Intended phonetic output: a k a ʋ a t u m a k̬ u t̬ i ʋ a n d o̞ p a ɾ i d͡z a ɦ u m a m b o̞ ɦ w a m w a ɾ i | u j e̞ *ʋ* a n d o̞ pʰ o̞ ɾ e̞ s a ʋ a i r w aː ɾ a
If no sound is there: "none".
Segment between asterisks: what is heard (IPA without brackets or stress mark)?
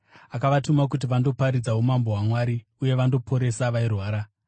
ʋ